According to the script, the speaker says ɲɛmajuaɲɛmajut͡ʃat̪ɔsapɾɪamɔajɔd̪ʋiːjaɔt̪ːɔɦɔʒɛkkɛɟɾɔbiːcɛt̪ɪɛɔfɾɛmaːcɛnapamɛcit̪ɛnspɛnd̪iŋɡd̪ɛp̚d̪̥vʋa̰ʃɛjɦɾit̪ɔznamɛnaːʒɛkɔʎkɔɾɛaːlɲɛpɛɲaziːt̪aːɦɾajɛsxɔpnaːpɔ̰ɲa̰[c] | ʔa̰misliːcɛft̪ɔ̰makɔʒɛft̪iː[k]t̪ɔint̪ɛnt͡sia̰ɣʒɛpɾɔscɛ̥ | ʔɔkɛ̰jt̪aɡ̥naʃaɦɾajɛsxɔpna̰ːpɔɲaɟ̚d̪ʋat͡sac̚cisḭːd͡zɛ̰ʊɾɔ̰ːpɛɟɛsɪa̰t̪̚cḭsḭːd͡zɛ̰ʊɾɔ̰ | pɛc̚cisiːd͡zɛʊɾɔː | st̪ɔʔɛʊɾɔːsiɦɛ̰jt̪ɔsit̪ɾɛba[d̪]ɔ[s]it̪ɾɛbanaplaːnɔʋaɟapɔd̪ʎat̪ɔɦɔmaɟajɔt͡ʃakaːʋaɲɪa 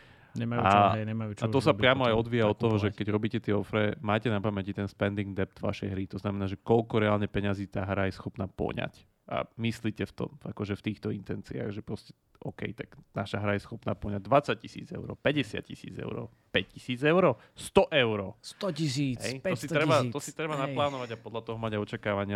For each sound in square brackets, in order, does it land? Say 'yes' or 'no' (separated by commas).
yes, no, no, yes